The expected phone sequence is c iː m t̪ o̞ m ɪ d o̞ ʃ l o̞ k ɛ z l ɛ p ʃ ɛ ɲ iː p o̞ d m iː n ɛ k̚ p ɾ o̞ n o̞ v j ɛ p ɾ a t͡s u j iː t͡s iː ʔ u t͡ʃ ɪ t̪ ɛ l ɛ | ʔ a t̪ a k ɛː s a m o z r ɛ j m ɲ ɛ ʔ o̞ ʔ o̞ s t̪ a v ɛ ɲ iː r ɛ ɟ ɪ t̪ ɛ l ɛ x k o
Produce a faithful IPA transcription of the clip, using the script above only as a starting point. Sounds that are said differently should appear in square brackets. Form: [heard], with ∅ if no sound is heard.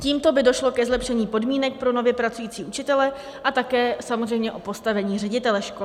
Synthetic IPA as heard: c iː m t̪ o̞ [b] ɪ d o̞ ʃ l o̞ k ɛ z l ɛ p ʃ ɛ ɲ iː p o̞ d m iː n ɛ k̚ p ɾ o̞ n o̞ v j ɛ p ɾ a t͡s u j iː t͡s iː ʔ u t͡ʃ ɪ t̪ ɛ l ɛ | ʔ a t̪ a k ɛː s a m o z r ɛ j m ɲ ɛ ʔ o̞ [p] o̞ s t̪ a v ɛ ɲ iː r ɛ ɟ ɪ t̪ ɛ l ɛ [ʃ] k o